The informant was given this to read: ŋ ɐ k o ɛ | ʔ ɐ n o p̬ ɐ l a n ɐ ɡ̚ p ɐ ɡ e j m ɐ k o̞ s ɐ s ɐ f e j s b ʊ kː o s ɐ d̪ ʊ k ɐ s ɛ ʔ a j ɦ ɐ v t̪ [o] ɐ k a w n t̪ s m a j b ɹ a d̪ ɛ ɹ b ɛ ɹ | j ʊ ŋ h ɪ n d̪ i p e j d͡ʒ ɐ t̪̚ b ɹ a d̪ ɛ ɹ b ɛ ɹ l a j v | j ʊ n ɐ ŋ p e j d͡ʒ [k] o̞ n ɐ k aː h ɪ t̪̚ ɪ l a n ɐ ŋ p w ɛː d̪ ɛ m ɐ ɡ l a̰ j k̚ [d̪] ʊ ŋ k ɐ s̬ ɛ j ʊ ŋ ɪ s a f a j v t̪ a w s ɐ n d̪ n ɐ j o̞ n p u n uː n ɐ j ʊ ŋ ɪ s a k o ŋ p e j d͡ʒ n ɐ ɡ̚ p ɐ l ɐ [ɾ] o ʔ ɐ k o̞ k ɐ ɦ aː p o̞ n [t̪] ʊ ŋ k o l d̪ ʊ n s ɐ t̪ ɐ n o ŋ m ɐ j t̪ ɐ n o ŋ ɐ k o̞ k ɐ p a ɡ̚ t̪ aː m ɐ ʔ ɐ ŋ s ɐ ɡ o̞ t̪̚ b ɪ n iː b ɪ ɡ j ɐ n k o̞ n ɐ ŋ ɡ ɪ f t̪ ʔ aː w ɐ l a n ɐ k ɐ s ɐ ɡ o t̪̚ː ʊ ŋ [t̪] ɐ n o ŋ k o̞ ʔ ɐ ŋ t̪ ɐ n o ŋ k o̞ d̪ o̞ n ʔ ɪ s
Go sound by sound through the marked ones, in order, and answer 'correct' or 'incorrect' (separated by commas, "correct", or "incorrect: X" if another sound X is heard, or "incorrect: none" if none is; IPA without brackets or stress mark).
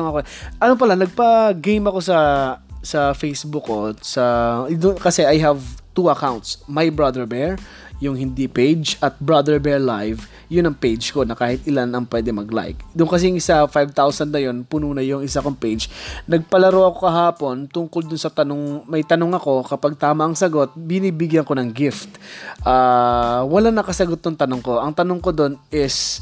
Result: incorrect: u, correct, correct, correct, correct, correct